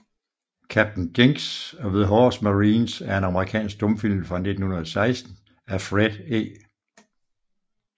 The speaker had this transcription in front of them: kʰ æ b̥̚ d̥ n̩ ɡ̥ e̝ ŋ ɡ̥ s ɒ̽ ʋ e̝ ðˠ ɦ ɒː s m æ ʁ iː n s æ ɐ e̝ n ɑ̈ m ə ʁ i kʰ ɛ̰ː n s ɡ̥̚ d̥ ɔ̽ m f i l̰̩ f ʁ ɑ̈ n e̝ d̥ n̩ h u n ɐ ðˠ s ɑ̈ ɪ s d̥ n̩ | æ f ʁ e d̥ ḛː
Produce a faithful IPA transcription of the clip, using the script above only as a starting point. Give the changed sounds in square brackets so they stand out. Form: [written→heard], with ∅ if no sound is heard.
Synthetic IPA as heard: kʰ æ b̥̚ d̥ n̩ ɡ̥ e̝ ŋ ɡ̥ s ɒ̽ ʋ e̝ ðˠ ɦ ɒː s m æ ʁ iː n s æ ɐ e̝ n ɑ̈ m ə ʁ i kʰ ɛ̰ː n s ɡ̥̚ d̥ ɔ̽ m f i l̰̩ f ʁ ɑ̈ n e̝ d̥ n̩ h u n ɐ ðˠ s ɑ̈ ɪ s d̥ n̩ | æ f ʁ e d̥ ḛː